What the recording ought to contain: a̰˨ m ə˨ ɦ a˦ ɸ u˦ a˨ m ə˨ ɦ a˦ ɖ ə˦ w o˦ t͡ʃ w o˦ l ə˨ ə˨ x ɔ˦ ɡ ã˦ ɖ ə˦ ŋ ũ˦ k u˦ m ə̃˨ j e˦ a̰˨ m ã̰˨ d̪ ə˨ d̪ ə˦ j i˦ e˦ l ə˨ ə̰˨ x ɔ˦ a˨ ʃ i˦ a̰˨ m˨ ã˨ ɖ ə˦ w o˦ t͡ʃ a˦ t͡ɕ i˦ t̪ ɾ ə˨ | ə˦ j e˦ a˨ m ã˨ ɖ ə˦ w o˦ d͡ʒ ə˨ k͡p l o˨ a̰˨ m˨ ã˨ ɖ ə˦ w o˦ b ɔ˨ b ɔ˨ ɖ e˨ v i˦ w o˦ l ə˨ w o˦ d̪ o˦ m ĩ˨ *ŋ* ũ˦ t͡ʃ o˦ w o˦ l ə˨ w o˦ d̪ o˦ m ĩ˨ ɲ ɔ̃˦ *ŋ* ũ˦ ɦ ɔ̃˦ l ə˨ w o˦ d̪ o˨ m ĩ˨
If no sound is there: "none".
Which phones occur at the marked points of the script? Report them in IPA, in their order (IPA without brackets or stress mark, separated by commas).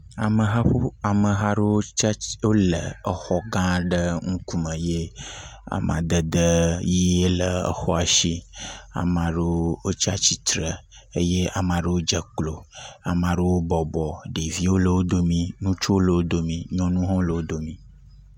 n, n